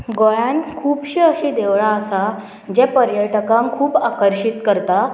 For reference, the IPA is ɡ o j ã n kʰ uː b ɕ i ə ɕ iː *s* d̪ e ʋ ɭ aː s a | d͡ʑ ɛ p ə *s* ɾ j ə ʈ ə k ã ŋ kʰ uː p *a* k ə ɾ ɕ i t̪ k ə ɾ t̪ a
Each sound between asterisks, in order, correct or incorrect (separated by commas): incorrect, incorrect, correct